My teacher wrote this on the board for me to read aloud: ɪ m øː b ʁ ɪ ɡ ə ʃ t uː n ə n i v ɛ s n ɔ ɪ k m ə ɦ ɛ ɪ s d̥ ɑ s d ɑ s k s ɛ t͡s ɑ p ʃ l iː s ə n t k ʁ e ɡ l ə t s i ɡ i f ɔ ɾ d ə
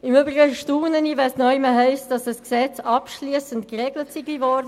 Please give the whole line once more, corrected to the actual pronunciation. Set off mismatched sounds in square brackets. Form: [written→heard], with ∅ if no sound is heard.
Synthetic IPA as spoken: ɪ m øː b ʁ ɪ ɡ ə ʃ t uː n ə n i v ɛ s n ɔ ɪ [k→∅] m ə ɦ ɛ ɪ s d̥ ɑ s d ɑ s k s ɛ t͡s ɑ p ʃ l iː s ə n t k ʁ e ɡ l ə t s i ɡ i [f→v] ɔ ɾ d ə